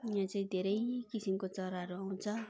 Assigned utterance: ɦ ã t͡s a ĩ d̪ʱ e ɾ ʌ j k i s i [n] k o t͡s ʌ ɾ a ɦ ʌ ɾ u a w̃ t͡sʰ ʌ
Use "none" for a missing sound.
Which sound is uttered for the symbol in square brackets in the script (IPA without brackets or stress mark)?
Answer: m